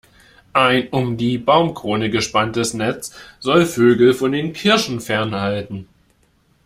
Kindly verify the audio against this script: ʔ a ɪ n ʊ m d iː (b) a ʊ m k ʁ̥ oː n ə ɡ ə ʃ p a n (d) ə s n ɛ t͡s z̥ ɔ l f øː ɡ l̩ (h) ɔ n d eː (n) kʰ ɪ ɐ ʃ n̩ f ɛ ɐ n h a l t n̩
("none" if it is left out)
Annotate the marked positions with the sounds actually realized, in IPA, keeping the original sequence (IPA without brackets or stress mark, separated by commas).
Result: b, t, f, n